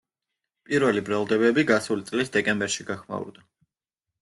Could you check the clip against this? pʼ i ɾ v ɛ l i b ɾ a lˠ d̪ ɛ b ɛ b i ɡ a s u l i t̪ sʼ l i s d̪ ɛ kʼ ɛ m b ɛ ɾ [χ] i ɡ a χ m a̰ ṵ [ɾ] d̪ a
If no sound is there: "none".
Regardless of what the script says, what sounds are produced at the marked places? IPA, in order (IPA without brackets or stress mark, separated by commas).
ʃ, ɾ